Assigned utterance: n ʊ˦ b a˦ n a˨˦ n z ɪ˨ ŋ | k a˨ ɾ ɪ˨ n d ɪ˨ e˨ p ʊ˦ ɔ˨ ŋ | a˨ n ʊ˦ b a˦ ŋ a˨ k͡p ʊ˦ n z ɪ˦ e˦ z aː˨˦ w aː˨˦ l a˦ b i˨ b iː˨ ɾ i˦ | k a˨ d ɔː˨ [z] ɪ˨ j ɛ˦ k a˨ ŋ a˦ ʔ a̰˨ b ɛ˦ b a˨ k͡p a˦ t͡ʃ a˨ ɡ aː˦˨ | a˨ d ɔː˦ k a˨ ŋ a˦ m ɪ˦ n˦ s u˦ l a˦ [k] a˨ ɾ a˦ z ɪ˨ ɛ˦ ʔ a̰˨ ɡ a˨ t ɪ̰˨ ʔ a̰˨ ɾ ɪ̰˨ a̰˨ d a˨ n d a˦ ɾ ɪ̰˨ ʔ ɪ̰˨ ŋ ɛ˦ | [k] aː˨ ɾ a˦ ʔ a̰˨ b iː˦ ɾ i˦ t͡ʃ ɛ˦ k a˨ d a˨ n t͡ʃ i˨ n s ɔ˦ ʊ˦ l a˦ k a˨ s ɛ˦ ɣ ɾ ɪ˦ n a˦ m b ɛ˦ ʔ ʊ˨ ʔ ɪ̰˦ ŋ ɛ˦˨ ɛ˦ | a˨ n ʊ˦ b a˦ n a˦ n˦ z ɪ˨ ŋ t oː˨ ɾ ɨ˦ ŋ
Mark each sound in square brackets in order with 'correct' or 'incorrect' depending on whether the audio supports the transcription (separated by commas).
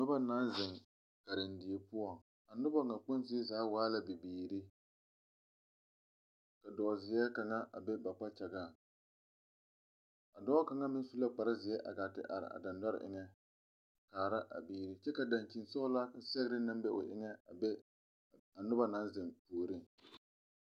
correct, incorrect, correct